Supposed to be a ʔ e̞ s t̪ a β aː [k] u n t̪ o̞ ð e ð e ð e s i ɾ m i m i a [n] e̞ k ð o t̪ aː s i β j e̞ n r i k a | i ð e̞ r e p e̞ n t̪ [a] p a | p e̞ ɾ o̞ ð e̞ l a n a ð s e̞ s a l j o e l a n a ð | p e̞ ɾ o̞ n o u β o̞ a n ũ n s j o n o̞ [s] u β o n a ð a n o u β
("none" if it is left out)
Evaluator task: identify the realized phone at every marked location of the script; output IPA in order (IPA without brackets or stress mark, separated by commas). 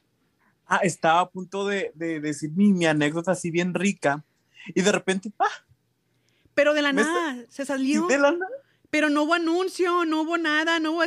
p, n, e, none